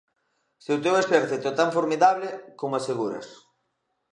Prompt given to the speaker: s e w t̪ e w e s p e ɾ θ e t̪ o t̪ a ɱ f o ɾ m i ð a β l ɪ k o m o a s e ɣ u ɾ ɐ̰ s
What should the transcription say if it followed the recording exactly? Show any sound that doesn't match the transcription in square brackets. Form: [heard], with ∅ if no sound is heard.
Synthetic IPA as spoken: s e w t̪ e w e s p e ɾ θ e t̪ o t̪ a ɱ f o ɾ m i ð a β l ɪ k o m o a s e ɣ u ɾ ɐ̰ s